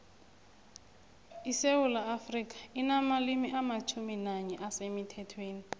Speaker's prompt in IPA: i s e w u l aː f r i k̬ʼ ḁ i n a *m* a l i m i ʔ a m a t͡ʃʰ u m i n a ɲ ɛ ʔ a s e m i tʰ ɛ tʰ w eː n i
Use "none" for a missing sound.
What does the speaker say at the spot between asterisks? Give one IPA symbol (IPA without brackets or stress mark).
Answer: m